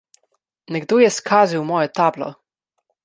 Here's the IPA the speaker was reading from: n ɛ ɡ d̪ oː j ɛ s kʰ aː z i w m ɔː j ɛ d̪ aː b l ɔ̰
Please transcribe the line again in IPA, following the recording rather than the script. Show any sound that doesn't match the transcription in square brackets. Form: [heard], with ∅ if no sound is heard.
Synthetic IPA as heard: n ɛ ɡ d̪ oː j ɛ s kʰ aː z i w m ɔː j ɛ [t̪] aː b l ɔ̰